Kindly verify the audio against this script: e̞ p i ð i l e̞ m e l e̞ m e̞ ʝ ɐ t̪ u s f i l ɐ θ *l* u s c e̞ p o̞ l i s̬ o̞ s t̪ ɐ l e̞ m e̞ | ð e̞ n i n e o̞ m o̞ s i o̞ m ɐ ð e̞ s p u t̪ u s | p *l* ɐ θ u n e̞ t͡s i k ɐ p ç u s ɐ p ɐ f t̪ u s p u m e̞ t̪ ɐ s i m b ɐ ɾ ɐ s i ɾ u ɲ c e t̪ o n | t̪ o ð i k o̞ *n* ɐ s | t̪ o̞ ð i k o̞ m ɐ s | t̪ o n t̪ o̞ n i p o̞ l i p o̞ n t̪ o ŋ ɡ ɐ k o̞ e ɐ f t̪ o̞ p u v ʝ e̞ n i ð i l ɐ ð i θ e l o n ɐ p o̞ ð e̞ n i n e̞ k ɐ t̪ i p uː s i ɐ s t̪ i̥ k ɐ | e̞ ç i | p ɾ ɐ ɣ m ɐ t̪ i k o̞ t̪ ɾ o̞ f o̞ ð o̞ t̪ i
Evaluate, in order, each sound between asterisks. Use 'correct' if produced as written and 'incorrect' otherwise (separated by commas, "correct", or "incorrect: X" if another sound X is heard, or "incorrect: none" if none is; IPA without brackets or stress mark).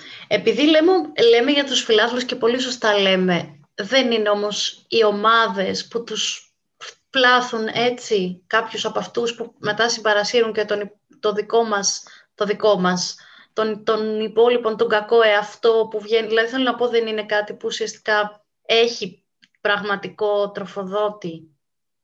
correct, correct, incorrect: m